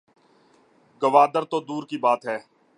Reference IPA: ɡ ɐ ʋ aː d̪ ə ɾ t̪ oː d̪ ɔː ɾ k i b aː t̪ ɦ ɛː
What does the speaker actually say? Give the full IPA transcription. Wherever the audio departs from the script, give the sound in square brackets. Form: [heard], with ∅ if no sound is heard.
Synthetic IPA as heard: ɡ [ə] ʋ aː d̪ ə ɾ t̪ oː d̪ [uː] ɾ k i b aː t̪ ɦ ɛː